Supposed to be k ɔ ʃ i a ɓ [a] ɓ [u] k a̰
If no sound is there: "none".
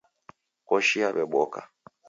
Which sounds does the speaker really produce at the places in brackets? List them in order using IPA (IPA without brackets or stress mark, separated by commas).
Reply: ɛ, ɔ